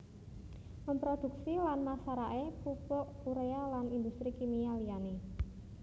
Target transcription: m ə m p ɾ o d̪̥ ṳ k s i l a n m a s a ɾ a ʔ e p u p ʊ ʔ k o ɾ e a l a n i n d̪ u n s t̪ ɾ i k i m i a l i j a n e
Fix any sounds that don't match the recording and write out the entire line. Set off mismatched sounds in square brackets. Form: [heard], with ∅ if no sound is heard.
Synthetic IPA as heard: m ə m p ɾ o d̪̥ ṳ k s i l a n m a s a ɾ a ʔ e p u p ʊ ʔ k [u] ɾ e a l a n i n d̪ u [∅] s t̪ ɾ i k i m i a l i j a n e